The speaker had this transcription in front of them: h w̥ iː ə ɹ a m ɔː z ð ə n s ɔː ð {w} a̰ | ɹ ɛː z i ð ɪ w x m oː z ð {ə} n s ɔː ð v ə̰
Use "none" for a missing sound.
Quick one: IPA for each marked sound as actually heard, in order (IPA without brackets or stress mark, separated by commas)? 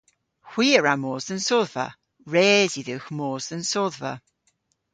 v, ə